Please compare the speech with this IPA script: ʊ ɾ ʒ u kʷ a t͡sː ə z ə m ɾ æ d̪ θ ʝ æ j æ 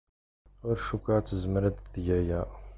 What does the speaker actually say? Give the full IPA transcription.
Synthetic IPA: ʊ ɾ ʃ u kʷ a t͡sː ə z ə m ɾ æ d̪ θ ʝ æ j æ